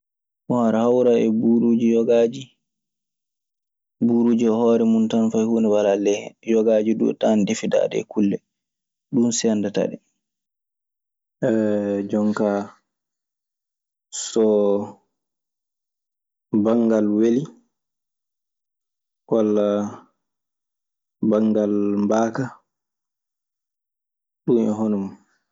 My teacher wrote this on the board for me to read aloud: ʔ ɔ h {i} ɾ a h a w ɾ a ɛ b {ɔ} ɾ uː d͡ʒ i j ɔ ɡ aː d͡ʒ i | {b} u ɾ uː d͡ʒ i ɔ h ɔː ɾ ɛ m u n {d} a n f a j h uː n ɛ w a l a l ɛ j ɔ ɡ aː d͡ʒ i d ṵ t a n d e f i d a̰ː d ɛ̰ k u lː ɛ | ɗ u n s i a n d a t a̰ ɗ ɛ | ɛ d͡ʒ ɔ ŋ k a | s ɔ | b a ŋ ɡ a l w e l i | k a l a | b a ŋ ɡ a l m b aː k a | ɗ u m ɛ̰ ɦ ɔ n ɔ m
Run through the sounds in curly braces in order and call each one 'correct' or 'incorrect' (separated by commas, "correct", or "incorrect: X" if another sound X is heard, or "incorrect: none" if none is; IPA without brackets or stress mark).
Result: incorrect: a, incorrect: u, correct, incorrect: t